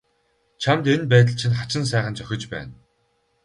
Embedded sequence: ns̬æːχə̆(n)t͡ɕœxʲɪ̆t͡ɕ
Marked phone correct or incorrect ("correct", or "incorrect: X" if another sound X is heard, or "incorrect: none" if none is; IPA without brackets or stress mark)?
correct